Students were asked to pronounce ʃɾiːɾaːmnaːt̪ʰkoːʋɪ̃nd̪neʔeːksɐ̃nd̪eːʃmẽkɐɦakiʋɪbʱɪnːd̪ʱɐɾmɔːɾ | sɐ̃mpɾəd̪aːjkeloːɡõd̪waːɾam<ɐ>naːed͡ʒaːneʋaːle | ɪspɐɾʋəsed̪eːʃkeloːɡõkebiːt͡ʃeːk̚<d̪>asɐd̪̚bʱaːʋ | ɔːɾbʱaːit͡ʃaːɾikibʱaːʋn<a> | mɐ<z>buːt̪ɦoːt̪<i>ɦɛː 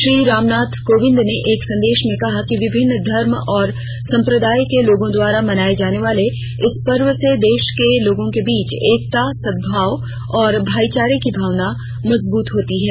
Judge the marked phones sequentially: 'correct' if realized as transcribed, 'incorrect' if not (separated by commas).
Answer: correct, incorrect, correct, correct, correct